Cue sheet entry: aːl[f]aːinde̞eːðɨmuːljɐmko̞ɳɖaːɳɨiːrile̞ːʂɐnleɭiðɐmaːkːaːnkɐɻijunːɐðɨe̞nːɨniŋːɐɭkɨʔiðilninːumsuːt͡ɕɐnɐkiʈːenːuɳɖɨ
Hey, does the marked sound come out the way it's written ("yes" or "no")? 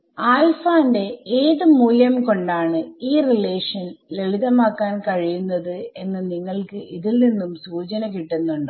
yes